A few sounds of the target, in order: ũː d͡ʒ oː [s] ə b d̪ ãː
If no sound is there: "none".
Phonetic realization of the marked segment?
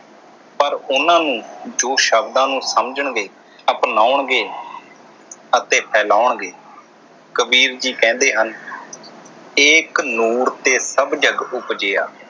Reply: ʃ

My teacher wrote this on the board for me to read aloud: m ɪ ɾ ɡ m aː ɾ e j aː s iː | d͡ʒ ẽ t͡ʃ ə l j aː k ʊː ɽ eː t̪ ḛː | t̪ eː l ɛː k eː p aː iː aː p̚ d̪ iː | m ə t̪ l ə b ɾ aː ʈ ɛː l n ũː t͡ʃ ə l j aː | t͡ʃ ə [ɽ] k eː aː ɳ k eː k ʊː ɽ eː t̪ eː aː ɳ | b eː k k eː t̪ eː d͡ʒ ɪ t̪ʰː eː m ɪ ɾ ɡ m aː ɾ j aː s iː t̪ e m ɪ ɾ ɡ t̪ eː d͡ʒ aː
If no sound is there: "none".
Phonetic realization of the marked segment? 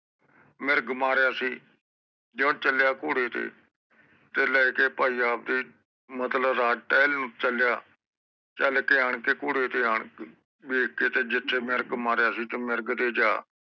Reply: l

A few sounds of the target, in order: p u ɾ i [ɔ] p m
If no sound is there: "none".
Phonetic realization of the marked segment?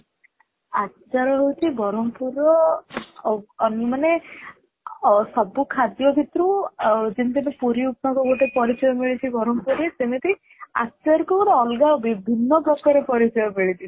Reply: u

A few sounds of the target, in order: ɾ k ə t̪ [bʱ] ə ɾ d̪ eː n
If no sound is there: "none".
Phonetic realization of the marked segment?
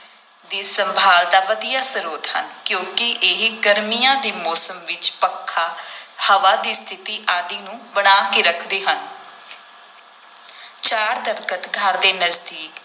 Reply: ɡʱ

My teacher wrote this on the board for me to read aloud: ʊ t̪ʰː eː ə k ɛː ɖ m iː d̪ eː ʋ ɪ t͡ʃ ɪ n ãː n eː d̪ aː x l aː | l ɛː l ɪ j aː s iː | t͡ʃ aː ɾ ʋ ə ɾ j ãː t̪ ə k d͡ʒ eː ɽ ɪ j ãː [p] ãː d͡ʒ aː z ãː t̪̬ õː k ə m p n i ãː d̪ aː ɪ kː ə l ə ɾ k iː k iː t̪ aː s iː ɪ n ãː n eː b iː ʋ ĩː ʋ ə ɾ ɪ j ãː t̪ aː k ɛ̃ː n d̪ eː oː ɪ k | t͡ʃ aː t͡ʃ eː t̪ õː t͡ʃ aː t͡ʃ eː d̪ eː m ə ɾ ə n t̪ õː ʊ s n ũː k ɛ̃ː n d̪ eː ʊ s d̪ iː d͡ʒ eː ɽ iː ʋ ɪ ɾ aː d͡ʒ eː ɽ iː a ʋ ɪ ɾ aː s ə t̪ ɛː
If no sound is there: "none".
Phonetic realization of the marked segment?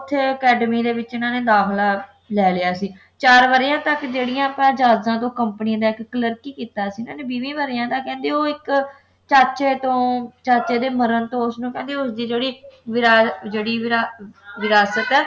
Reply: p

